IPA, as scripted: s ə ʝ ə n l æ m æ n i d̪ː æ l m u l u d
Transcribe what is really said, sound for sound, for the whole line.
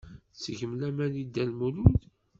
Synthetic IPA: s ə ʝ ə m l æ m æ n i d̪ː æ l m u l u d